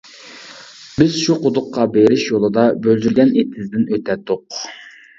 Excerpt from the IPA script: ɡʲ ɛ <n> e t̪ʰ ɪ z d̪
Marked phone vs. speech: correct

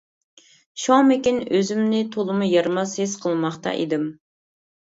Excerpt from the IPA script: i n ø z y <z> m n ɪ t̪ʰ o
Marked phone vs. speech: incorrect: none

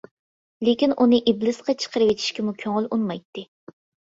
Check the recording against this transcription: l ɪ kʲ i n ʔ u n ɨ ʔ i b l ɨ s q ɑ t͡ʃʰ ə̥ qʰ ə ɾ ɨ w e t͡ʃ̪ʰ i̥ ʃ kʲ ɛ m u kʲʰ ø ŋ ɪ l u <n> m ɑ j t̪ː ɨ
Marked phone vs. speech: correct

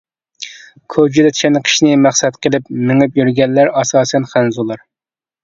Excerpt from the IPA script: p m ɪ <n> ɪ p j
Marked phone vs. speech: incorrect: ŋ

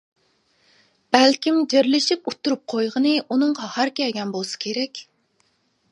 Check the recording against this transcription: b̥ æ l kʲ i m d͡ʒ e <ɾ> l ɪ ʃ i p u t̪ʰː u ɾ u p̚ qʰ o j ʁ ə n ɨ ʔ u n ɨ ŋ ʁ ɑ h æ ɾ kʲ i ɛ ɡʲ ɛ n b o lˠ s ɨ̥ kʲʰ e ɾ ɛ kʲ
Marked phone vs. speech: correct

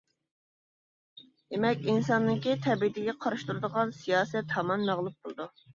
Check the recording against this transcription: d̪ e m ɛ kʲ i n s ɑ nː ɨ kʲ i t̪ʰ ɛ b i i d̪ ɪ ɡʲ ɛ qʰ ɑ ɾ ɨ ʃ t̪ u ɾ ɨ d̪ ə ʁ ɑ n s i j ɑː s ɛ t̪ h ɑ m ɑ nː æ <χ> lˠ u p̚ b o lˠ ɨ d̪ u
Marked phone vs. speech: incorrect: ʁ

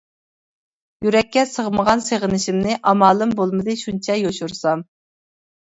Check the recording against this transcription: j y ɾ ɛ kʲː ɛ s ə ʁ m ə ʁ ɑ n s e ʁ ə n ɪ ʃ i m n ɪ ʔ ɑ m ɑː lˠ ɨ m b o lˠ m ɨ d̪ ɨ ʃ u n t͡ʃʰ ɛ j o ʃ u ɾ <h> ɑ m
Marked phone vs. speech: incorrect: s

